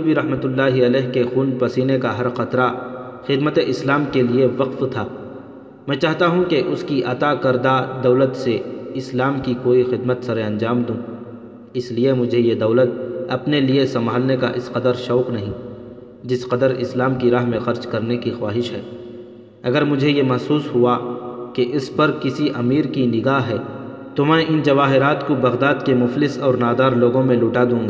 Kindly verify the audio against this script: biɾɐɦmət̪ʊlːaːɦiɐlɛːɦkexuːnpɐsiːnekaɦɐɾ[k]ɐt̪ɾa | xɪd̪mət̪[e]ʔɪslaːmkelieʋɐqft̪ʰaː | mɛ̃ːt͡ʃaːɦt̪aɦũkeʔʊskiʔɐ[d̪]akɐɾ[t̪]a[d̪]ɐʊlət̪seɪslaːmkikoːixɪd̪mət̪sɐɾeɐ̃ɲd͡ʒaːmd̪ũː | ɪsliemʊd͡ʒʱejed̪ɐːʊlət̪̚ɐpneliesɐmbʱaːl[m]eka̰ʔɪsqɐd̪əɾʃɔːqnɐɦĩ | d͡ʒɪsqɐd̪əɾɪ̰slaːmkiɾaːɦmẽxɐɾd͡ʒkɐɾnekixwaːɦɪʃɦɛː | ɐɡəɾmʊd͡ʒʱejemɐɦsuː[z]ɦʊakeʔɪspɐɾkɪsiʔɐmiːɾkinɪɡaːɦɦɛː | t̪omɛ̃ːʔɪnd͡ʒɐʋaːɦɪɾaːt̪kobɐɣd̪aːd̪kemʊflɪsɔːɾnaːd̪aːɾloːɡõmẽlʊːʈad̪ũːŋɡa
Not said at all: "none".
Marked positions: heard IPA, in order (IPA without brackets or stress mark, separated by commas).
x, e, t̪, d̪, d̪, n, s